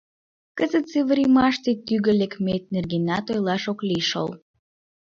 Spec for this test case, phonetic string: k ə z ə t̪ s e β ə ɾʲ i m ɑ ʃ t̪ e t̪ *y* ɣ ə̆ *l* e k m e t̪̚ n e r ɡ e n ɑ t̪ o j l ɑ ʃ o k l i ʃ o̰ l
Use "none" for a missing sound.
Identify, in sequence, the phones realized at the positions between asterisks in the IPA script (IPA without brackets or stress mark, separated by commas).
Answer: y, l